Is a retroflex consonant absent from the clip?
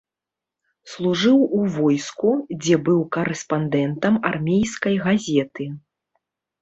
no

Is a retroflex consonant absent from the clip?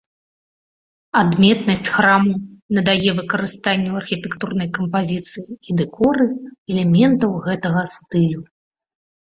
yes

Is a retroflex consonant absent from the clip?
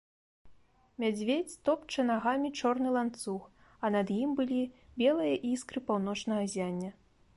no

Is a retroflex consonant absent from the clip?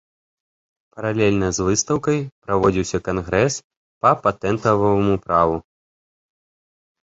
yes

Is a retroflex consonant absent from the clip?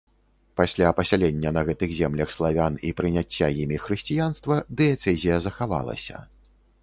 yes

